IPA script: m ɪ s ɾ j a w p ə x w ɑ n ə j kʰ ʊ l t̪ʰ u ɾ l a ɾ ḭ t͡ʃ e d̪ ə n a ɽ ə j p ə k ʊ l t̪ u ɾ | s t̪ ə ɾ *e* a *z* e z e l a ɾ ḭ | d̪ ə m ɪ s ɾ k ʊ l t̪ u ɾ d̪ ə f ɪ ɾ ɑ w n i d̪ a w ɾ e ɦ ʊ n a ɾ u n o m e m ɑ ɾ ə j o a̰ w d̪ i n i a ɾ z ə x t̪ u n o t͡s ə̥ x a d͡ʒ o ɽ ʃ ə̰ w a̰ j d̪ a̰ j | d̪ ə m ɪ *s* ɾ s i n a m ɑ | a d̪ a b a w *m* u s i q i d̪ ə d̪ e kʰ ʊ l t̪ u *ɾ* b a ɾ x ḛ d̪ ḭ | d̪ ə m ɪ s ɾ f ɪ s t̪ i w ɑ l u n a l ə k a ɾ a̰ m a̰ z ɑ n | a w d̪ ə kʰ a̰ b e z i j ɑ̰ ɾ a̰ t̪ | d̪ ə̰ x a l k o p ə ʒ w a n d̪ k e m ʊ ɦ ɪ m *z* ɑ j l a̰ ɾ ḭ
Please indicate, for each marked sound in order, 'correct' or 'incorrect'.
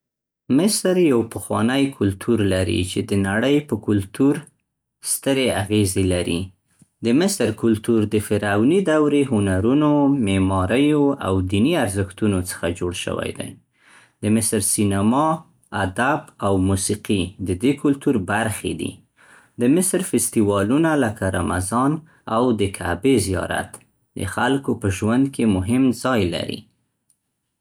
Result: correct, incorrect: ɣ, correct, correct, correct, correct

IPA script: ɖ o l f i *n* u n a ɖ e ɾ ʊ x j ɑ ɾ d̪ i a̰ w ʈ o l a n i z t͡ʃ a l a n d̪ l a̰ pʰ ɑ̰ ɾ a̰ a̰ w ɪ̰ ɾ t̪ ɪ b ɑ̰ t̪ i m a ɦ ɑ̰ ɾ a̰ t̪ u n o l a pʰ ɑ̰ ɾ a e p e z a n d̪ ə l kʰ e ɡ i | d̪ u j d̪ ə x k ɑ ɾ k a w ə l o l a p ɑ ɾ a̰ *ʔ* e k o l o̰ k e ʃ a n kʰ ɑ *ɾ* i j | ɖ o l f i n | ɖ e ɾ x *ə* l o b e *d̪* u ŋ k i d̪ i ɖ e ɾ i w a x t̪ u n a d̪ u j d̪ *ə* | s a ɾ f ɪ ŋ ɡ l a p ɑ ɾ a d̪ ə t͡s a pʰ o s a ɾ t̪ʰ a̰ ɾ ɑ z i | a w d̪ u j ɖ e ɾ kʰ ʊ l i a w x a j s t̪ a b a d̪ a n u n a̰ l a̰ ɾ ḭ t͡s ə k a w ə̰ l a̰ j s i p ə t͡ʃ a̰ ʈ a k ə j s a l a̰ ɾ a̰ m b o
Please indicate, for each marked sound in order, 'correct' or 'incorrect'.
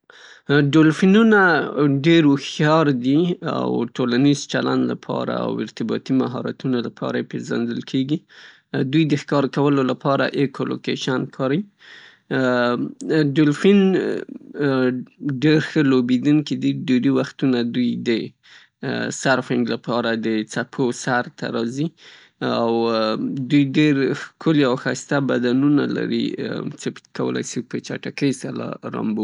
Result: correct, correct, correct, correct, correct, correct

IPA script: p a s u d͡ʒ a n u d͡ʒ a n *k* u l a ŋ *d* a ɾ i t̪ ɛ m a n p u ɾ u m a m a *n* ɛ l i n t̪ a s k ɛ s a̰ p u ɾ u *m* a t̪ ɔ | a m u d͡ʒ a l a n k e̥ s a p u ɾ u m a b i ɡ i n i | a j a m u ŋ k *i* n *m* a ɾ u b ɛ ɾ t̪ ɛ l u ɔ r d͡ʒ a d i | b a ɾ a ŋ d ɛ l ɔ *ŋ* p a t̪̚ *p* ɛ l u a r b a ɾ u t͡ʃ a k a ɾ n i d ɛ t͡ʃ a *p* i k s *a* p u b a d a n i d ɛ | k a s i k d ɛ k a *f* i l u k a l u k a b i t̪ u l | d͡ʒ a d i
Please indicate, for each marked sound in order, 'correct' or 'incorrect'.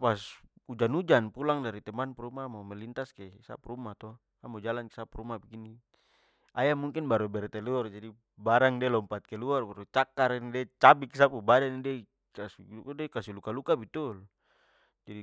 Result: incorrect: p, correct, incorrect: m, correct, correct, incorrect: b, incorrect: m, incorrect: k, incorrect: b, correct, incorrect: s

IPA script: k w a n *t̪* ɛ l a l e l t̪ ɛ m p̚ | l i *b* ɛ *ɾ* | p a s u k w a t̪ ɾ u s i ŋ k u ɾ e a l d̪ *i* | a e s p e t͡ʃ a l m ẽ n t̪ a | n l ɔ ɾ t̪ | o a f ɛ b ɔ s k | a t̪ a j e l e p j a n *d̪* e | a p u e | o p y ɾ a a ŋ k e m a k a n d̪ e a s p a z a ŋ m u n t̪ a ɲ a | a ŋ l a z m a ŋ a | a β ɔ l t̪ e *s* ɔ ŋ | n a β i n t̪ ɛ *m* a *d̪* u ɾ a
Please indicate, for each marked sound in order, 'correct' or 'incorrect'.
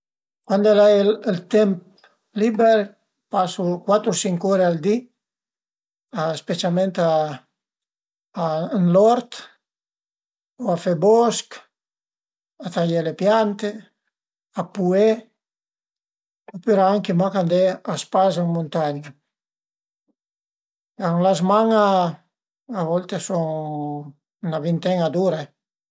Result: incorrect: d̪, correct, correct, correct, incorrect: t̪, correct, incorrect: ŋ, correct

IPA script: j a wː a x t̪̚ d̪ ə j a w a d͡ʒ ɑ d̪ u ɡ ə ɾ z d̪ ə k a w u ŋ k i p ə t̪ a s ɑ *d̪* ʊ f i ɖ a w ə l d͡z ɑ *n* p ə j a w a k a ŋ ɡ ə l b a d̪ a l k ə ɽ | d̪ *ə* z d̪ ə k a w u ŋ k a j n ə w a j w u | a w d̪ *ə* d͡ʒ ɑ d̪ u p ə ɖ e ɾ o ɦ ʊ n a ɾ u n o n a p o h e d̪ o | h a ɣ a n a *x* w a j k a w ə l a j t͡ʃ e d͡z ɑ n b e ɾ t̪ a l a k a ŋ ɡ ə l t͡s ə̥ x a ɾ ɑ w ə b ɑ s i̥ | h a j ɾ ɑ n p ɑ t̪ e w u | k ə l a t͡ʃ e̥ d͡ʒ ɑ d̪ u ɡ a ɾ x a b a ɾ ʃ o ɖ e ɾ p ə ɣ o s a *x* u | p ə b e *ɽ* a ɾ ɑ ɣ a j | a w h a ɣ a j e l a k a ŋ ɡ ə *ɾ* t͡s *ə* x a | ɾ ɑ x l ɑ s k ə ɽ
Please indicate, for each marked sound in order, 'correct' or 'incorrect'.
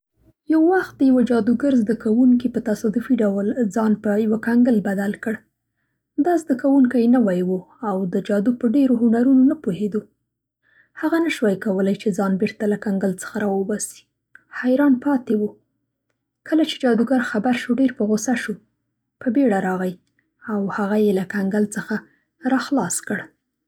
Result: correct, correct, incorrect: ɑ, correct, incorrect: ʃ, incorrect: ʃ, correct, incorrect: l, correct

